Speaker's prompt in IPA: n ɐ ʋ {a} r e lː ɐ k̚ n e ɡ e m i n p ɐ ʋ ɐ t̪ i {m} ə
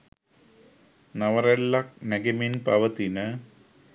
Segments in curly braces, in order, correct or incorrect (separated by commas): incorrect, incorrect